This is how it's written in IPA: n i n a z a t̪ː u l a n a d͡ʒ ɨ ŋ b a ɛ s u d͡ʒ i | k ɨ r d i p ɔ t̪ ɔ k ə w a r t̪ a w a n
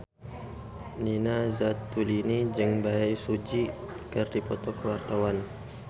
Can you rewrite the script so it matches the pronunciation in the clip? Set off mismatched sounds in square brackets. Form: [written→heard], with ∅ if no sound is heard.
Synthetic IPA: n i n a z a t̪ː u l [a→i] n [a→i] d͡ʒ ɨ ŋ b a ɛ s u d͡ʒ i | k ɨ r d i p ɔ t̪ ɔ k ə w a r t̪ a w a n